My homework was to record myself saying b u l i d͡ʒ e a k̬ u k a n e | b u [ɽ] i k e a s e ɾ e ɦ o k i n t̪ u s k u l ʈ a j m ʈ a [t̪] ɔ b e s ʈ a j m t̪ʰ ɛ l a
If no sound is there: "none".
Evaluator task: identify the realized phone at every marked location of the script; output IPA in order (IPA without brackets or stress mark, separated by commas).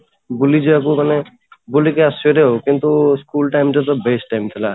l, t̪